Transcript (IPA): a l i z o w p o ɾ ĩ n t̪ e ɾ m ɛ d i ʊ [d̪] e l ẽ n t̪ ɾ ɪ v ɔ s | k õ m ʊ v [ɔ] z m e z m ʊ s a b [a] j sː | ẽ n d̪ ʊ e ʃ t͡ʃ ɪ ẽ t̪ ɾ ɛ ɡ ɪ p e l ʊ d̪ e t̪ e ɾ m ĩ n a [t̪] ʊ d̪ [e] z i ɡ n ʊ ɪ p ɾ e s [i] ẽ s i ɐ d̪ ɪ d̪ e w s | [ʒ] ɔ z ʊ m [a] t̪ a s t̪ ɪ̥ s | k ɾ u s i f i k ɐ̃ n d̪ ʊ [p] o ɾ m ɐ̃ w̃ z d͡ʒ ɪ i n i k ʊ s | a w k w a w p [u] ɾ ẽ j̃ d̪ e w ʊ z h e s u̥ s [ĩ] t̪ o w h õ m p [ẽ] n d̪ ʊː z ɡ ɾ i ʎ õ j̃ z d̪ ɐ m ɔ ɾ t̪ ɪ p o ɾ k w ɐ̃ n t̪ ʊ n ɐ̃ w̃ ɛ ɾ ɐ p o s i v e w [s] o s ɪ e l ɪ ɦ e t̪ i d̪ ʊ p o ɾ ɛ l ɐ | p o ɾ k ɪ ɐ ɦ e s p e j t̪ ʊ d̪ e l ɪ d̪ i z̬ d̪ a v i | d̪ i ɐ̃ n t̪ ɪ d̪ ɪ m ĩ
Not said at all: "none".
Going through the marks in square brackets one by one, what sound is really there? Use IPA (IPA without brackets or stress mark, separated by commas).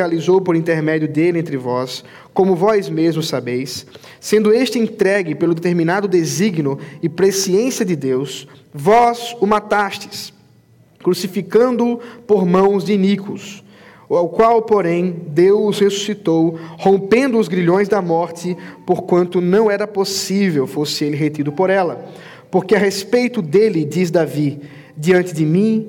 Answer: d̪, ɔ, e, d̪, e, i, v, a, p, o, i, ẽ, f